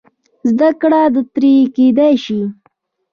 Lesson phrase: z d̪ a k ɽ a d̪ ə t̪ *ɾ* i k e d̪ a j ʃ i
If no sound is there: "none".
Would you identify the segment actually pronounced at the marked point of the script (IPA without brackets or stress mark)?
ɾ